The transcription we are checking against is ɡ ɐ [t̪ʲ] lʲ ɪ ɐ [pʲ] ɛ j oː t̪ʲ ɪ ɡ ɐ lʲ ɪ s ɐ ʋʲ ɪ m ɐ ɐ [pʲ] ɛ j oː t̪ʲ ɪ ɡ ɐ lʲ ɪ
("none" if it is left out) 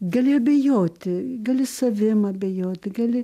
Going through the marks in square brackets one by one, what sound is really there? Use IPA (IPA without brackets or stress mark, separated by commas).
none, bʲ, bʲ